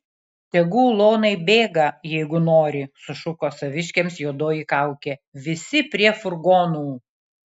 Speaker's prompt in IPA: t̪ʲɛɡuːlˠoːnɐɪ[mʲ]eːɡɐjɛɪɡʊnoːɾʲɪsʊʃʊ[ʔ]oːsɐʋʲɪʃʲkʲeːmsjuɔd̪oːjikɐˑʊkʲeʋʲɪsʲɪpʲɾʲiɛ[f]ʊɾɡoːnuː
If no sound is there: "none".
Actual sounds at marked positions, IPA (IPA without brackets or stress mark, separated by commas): bʲ, k, f